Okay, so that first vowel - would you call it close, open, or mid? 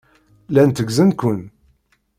open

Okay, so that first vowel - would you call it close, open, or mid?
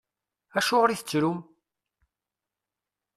open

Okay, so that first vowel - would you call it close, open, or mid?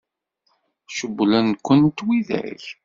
mid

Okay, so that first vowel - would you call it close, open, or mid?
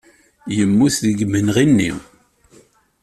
mid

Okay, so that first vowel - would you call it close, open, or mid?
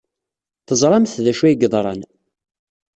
mid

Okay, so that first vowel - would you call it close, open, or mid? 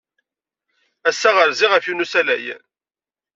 open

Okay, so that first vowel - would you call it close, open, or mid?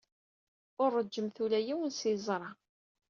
close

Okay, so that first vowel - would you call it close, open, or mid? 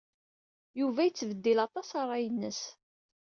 close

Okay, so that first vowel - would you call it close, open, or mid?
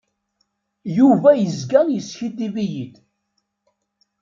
close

